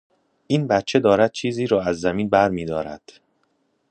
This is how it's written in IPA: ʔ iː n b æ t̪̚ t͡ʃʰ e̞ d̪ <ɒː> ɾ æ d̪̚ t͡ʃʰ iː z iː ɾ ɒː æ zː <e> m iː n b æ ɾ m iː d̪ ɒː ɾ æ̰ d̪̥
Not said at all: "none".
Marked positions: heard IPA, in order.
ɒː, æ

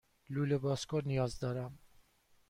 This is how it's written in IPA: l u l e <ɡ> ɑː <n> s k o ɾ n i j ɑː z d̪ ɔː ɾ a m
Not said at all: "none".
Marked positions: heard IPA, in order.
b, none

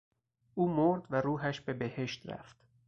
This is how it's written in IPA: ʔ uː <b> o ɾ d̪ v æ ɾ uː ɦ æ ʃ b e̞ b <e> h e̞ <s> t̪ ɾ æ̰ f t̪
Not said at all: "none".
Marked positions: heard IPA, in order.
m, e, ʃ

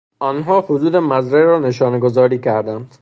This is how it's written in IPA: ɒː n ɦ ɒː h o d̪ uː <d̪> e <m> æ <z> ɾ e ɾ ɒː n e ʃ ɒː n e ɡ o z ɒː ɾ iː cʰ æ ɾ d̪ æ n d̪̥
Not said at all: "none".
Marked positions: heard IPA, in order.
d̪, m, z

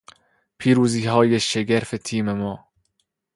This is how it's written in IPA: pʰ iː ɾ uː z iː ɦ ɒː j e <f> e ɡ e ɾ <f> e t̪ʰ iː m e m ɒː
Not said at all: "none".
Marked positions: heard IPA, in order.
ʃ, f

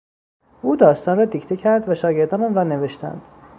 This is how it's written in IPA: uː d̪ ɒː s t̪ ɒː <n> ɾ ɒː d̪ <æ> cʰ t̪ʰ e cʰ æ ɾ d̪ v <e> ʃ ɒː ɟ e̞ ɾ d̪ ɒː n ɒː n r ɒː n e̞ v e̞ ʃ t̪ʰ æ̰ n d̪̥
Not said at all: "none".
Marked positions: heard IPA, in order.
n, i, æ

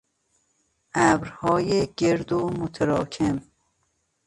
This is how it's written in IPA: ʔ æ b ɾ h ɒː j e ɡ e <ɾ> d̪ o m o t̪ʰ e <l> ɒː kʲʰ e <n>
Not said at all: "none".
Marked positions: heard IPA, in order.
ɾ, ɾ, m

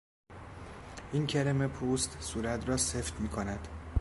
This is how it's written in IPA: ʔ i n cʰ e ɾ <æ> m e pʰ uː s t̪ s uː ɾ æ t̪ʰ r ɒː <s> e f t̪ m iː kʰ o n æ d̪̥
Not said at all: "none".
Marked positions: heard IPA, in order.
e, s

